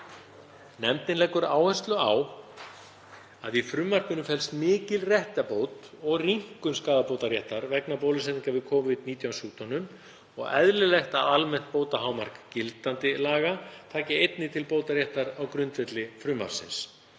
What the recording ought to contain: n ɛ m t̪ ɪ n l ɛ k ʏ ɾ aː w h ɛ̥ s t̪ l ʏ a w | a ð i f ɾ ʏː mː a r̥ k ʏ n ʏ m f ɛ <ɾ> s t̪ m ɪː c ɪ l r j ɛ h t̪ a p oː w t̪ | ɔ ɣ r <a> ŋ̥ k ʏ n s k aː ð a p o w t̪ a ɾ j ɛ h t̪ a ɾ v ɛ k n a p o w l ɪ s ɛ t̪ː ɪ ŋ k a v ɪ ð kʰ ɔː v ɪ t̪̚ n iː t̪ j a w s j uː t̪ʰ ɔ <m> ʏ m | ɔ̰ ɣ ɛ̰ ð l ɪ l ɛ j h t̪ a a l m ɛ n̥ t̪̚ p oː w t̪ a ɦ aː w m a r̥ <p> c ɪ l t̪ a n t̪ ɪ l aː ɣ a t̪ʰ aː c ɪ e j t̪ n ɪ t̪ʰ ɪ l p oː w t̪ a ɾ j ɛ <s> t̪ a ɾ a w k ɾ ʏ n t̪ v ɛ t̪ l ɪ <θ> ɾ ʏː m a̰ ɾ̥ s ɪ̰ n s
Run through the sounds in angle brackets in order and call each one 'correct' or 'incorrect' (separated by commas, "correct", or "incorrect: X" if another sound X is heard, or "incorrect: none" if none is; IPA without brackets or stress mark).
incorrect: l, incorrect: i, incorrect: n, incorrect: k, incorrect: h, incorrect: f